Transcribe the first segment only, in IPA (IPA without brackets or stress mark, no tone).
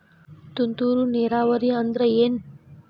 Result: t̪